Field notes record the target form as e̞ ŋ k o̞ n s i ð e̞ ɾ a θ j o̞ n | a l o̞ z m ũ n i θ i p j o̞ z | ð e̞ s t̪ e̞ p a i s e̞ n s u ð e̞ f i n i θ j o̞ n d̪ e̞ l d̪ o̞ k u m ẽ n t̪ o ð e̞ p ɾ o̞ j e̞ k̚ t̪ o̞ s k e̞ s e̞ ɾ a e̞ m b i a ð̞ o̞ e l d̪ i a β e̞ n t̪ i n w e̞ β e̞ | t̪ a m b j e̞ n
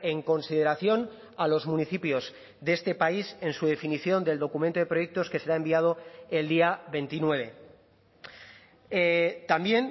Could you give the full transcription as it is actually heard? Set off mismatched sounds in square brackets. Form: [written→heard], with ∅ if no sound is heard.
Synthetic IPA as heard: e̞ ŋ k o̞ n s i ð e̞ ɾ a θ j o̞ n | a l o̞ z m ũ n i θ i p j o̞ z | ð e̞ s t̪ e̞ p a i s e̞ n s u ð e̞ f i n i θ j o̞ n d̪ e̞ l d̪ o̞ k u m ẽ n t̪ o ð e̞ p ɾ o̞ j e̞ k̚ t̪ o̞ s k e̞ s e̞ ɾ a e̞ m b i a ð̞ o̞ e l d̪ i a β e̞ n t̪ i n w e̞ β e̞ | t̪ a m b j e̞ n